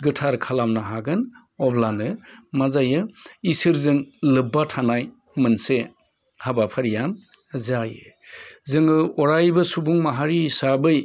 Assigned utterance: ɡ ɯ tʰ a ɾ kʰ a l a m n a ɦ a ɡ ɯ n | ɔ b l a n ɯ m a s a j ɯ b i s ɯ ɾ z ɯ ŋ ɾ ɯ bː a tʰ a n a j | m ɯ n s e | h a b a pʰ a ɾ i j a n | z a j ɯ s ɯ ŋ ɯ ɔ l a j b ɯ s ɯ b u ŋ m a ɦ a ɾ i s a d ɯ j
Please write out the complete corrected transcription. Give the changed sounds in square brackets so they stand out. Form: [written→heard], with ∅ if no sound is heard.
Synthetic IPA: ɡ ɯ tʰ a ɾ kʰ a l a m n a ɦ a ɡ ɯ n | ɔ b l a n ɯ m a [s→z] a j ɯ [b→∅] i s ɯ ɾ z ɯ ŋ [ɾ→l] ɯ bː a tʰ a n a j | m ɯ n s e | h a b a pʰ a ɾ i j a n | z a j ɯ [s→z] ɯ ŋ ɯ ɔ [l→ɾ] a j b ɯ s [ɯ→u] b u ŋ m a ɦ a ɾ i s a [d→b] ɯ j